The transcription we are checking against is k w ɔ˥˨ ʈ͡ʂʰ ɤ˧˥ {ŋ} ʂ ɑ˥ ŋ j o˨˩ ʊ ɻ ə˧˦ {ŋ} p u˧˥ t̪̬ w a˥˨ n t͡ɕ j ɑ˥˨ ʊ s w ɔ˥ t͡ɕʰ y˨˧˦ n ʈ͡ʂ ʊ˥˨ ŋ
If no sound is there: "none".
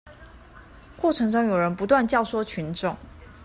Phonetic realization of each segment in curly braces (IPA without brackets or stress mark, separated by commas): ŋ, n